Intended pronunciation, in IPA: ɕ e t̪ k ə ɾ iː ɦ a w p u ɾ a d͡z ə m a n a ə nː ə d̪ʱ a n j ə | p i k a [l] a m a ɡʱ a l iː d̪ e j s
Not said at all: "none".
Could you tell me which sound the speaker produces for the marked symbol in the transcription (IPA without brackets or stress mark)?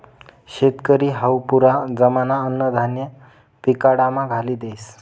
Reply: ɽ